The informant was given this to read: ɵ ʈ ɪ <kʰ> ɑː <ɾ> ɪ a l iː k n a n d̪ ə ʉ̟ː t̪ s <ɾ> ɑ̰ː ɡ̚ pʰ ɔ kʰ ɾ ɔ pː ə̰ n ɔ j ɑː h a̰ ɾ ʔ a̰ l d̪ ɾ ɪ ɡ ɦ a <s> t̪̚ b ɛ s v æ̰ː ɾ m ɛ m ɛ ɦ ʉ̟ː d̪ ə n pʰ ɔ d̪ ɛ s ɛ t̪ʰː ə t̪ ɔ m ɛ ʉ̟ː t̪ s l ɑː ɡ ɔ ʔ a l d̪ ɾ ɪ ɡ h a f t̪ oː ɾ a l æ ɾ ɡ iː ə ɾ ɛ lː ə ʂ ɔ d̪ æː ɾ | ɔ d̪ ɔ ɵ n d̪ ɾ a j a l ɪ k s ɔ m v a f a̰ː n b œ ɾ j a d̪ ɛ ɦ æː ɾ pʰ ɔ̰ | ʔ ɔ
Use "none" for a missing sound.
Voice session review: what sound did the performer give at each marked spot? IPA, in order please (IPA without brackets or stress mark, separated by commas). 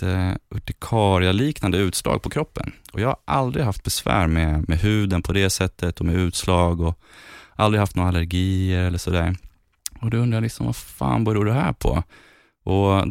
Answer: kʰ, ɾ, l, f